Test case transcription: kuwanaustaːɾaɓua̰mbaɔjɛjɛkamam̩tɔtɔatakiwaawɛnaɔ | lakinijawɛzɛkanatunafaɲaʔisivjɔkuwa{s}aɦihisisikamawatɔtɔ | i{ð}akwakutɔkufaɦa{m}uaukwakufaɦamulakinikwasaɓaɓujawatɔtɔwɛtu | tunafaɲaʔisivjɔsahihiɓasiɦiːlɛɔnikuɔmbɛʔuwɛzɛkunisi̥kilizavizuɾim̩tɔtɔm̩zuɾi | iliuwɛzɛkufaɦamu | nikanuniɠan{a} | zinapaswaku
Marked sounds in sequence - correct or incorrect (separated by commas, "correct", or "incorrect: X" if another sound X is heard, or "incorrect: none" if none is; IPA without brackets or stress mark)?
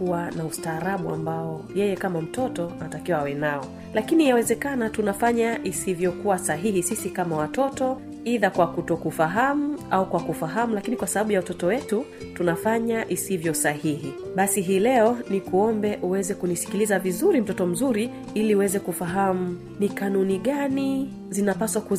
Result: correct, correct, correct, incorrect: i